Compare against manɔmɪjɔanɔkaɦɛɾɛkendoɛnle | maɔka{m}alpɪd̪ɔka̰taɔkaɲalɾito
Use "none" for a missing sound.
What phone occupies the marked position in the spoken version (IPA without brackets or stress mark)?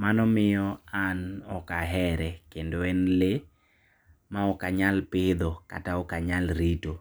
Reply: ɲ